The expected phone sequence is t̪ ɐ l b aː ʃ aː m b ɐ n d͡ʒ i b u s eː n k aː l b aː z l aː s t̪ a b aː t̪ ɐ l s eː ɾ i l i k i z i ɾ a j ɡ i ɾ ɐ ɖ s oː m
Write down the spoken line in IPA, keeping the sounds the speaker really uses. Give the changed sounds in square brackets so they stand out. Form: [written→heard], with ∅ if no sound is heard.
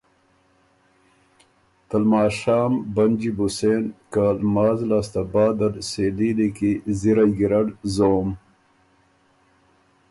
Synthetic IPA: t̪ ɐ l [b→m] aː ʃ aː m b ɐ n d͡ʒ i b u s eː n k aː l [b→m] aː z l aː s t̪ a b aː [t̪→d̪] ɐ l s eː [ɾ→l] i l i k i z i ɾ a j ɡ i ɾ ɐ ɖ [s→z] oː m